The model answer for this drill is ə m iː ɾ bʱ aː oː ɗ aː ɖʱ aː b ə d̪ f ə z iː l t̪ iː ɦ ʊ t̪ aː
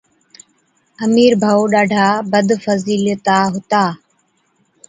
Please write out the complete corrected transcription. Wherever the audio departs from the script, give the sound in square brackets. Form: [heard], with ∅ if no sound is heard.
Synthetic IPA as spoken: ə m iː ɾ bʱ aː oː ɗ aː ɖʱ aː b ə d̪ f ə z iː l t̪ [aː] ɦ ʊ t̪ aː